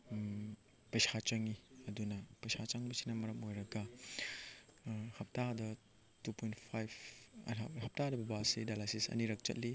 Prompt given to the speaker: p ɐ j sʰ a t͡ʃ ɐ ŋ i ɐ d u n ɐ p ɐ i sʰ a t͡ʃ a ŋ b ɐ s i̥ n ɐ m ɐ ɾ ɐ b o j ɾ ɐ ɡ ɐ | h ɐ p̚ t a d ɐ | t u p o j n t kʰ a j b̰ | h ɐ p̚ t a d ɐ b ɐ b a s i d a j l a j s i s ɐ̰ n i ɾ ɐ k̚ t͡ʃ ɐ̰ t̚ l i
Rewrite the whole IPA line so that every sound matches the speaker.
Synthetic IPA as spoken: p ɐ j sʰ a t͡ʃ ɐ ŋ i ɐ d u n ɐ p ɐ j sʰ a t͡ʃ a ŋ b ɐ s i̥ n ɐ m ɐ ɾ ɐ m o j ɾ ɐ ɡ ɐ | h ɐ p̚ t a d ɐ | t u p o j n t pʰ a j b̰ | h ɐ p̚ t a d ɐ b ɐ b a s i d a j l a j s i s ɐ̰ n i ɾ ɐ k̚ t͡ʃ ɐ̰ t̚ l i